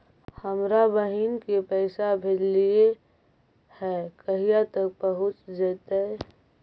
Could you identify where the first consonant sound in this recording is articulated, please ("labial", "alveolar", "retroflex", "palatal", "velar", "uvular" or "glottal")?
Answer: glottal